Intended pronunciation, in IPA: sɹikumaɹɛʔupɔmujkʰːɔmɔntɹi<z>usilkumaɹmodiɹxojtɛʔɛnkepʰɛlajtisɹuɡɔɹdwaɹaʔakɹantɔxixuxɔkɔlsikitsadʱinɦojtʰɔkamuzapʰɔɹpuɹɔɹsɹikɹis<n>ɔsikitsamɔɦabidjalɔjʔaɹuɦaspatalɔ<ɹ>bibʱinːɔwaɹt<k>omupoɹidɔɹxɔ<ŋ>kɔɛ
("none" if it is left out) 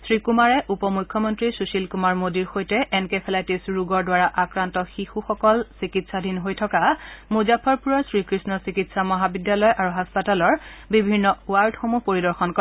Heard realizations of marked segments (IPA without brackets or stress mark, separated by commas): s, n, ɹ, x, n